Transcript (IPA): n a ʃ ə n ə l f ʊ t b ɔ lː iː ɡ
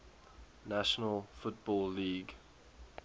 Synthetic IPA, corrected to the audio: n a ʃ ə n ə l f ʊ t b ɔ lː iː ɡ